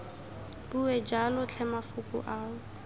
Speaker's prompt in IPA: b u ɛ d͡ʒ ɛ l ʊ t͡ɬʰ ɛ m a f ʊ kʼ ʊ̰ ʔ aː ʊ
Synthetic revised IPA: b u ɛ d͡ʒ a l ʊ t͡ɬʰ ɛ m a f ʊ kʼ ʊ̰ ʔ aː ʊ